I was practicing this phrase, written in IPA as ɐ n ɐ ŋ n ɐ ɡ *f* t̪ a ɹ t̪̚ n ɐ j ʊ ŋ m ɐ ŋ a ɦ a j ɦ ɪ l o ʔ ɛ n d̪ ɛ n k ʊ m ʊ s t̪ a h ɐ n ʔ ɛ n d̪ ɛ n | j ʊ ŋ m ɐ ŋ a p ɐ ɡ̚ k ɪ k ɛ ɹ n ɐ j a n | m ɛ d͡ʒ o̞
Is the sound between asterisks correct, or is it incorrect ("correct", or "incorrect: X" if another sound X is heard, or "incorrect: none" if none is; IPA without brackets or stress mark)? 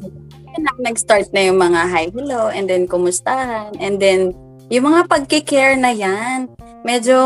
incorrect: s